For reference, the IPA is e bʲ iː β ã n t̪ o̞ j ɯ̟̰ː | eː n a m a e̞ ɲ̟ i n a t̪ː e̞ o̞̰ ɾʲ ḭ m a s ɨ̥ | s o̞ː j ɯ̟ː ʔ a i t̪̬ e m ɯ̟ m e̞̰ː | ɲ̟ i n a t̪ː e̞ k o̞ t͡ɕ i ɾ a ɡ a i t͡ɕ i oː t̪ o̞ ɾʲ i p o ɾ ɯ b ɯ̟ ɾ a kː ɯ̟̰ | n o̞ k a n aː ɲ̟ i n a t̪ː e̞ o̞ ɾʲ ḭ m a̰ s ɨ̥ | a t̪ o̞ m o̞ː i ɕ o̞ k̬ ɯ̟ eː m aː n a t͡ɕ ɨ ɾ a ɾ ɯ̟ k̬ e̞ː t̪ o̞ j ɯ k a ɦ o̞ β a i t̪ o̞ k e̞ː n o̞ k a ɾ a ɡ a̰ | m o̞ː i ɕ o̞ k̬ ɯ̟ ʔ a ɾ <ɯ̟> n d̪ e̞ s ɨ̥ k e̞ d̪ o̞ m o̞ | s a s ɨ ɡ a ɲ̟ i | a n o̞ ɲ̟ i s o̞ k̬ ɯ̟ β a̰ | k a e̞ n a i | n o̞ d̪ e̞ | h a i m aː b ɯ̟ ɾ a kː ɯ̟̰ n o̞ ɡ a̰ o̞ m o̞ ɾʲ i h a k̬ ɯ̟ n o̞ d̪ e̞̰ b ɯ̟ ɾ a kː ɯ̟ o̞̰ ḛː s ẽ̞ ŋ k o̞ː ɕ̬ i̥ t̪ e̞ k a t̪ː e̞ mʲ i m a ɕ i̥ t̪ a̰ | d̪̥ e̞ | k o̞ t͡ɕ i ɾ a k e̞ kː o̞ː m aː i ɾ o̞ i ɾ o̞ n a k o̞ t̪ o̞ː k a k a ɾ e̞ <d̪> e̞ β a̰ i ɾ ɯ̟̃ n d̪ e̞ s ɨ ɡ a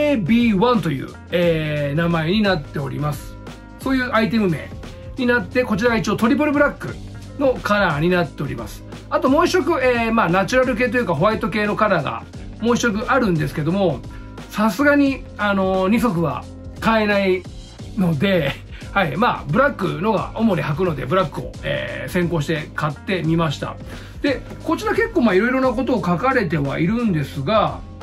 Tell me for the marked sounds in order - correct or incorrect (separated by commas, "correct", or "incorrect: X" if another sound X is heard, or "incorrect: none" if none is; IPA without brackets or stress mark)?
incorrect: ɯ̟̃, incorrect: t̪